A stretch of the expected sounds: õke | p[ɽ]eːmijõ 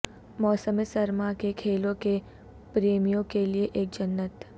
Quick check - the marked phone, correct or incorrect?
incorrect